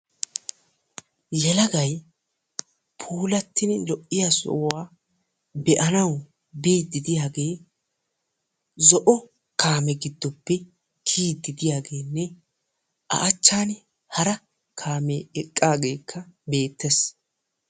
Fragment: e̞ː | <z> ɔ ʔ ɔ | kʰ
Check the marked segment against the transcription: correct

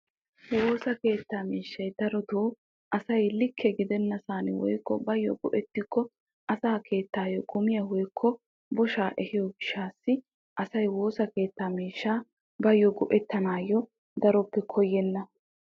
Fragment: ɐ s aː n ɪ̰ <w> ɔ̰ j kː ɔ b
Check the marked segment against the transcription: correct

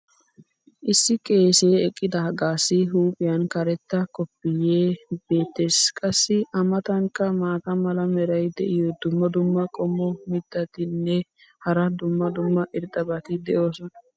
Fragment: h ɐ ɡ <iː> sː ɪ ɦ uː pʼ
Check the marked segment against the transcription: incorrect: aː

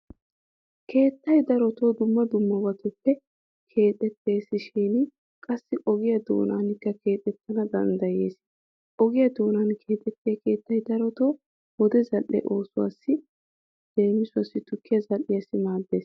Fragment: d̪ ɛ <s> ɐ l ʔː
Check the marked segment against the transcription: incorrect: z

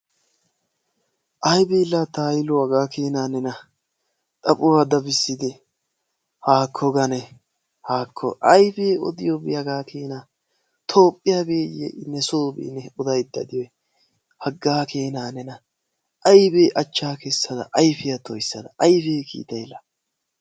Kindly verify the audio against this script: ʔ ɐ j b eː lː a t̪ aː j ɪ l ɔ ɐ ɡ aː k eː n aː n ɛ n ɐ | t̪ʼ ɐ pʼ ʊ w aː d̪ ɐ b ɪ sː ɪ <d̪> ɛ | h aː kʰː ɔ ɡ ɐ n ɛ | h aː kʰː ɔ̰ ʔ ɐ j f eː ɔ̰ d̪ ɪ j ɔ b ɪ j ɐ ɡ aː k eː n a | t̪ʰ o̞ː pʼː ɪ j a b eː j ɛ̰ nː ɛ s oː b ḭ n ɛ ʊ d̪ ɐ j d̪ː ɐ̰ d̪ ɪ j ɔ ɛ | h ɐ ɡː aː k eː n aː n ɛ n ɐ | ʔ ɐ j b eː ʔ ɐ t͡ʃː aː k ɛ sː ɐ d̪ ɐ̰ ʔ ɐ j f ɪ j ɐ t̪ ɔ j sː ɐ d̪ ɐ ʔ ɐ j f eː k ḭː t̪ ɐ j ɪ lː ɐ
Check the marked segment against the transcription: correct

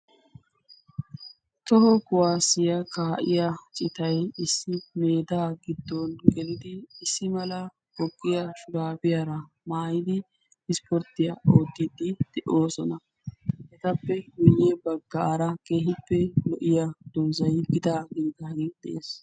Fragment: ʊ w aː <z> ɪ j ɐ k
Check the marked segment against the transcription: incorrect: s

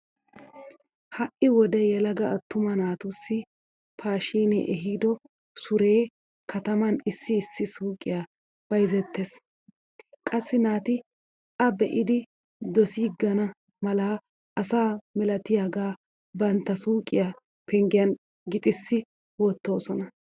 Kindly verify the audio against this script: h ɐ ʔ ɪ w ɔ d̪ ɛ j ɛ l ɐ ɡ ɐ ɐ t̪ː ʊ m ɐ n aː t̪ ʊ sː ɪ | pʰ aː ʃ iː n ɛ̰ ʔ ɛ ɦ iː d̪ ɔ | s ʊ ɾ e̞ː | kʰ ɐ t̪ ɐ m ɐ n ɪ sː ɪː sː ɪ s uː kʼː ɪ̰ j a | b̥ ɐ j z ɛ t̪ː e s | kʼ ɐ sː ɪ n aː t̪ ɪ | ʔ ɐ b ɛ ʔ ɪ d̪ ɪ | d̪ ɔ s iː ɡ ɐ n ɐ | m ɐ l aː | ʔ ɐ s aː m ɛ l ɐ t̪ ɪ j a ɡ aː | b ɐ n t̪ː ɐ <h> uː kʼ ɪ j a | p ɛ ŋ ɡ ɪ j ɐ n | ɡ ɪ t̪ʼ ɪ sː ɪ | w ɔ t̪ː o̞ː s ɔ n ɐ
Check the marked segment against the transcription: incorrect: s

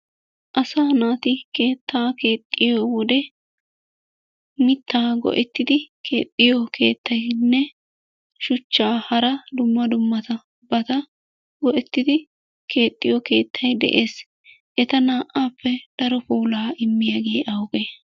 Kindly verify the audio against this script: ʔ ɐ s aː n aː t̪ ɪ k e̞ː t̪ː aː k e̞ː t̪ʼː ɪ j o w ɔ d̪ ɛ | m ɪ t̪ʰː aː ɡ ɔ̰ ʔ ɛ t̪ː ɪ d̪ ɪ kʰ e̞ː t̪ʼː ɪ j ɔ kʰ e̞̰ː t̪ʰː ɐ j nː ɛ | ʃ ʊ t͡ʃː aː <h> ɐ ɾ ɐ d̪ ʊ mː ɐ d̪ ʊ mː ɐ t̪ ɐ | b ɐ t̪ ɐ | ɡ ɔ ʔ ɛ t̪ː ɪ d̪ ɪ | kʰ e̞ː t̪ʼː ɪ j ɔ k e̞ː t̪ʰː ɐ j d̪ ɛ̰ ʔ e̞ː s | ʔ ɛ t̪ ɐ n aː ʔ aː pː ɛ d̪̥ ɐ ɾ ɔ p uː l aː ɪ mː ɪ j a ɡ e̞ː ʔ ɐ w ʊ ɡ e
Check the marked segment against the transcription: correct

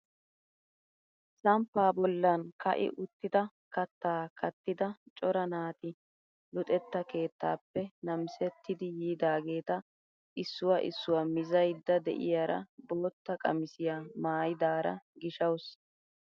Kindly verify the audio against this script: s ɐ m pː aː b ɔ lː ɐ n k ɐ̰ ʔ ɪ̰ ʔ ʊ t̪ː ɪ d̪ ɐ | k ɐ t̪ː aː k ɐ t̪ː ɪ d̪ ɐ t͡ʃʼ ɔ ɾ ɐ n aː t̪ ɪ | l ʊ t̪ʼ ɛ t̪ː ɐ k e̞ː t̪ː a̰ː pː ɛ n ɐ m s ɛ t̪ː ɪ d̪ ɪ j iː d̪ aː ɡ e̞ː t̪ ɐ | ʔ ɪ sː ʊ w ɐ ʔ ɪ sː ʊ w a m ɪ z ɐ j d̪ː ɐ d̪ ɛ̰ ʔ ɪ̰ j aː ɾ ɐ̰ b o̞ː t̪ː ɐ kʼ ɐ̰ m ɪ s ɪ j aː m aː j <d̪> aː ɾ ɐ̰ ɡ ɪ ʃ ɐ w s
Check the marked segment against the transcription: correct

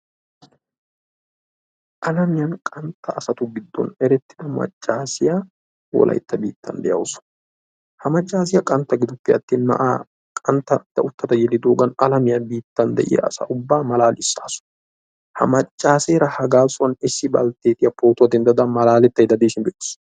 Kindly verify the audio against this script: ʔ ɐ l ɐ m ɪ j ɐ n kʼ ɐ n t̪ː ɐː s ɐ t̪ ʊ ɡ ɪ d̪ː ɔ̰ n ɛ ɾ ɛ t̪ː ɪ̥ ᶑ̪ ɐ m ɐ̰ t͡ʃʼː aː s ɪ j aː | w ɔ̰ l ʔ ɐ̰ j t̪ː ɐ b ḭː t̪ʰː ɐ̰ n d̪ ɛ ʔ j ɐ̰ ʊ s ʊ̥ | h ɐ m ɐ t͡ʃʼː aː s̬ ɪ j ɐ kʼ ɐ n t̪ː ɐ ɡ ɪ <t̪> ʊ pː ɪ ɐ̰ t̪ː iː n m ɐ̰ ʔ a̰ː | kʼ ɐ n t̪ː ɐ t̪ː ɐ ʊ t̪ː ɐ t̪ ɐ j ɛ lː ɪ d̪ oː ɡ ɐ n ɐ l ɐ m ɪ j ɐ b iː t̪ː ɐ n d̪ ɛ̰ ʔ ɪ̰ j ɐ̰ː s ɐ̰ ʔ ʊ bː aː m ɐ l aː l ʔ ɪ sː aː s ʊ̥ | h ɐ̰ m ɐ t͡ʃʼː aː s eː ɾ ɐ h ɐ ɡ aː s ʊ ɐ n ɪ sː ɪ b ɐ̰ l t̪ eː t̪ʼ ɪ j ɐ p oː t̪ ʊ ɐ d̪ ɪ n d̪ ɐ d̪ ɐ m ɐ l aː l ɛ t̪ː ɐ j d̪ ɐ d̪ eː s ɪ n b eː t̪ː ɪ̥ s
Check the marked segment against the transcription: incorrect: d̪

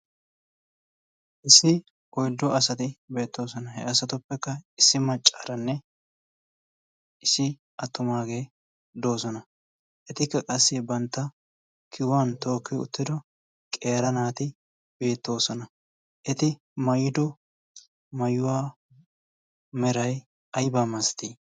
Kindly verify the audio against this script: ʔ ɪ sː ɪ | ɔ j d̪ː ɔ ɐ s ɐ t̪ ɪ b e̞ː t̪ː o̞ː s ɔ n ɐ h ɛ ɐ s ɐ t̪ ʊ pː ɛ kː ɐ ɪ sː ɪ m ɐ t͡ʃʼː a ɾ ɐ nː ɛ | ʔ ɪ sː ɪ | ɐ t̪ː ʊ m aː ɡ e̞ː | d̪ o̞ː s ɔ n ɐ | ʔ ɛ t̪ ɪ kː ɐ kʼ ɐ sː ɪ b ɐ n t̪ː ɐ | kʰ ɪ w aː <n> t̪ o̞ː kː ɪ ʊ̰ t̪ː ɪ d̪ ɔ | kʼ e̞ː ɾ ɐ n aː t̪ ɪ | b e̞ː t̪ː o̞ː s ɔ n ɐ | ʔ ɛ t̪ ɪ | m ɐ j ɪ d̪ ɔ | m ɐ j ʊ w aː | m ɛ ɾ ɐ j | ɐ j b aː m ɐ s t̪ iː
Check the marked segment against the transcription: correct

